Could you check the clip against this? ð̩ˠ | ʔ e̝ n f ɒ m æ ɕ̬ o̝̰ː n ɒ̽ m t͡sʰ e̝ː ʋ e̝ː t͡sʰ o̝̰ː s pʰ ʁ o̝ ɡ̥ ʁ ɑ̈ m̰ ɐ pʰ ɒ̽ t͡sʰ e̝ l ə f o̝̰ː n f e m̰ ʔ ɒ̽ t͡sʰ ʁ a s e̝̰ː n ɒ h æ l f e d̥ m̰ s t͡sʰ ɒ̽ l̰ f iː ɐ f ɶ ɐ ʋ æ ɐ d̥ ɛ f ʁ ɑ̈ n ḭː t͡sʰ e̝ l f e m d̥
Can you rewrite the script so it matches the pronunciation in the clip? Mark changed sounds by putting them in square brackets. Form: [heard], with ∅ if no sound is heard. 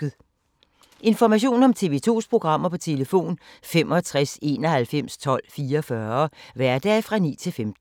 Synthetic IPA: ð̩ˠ | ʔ e̝ n f ɒ m æ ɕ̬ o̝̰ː n ɒ̽ m t͡sʰ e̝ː ʋ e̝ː t͡sʰ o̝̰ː s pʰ ʁ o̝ ɡ̥ ʁ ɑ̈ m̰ ɐ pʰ ɒ̽ t͡sʰ e̝ l ə f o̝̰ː n f e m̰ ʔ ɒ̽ t͡sʰ ʁ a s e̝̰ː n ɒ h æ l f e [∅] m̰ s t͡sʰ ɒ̽ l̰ f iː ɐ f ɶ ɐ ʋ æ ɐ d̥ ɛ f ʁ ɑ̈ n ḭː t͡sʰ e̝ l f e m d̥